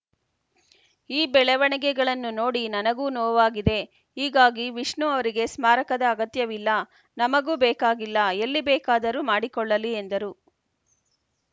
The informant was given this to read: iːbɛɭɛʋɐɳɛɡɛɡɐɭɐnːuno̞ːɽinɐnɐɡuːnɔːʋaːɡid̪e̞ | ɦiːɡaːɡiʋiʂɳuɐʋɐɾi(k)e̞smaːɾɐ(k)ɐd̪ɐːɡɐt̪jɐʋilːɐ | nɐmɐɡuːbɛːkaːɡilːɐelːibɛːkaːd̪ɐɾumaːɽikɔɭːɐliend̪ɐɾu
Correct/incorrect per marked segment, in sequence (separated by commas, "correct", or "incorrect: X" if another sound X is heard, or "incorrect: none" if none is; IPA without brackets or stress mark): incorrect: ɡ, correct